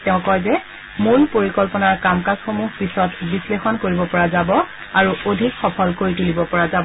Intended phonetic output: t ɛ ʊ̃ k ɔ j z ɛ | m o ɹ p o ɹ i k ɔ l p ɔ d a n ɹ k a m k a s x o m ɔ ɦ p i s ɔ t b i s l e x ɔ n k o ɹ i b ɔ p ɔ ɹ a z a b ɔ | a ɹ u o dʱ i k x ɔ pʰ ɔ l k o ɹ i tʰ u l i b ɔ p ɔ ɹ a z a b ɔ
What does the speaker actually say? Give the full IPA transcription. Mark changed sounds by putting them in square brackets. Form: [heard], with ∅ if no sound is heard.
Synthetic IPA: t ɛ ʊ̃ k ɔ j z ɛ | m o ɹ p o ɹ i k ɔ l p ɔ [n] a [∅] ɹ k a m k a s x o m [u] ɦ p i s ɔ t b i s l e x ɔ n k o ɹ i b ɔ p ɔ ɹ a z a b ɔ | a ɹ u o dʱ i k x ɔ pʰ ɔ l k o ɹ i [t] u l i b ɔ p ɔ ɹ a z a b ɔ